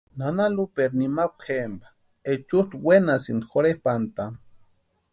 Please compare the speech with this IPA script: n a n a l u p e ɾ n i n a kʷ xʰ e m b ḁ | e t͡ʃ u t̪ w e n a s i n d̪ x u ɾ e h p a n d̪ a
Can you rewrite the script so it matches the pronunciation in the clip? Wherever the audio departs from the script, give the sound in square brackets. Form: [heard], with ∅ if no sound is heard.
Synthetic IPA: n a n a l u p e ɾ n i [m] a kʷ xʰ e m b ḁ | e t͡ʃ u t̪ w e n a s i n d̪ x [o] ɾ e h p a n [t̪] a